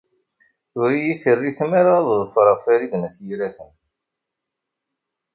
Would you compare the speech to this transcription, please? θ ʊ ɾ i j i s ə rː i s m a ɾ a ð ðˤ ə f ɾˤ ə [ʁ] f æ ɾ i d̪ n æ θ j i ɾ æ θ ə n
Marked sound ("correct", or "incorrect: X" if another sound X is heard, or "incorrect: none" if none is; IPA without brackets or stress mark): correct